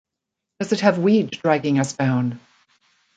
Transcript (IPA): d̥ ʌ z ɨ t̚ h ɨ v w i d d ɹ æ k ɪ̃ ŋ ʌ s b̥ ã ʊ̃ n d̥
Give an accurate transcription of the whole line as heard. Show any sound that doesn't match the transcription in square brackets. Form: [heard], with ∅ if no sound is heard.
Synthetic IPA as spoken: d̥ ʌ z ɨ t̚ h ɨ v w i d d ɹ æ [ɡ] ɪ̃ ŋ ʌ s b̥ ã ʊ̃ n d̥